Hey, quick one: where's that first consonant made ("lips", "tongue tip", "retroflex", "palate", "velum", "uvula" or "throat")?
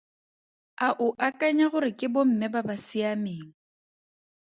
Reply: throat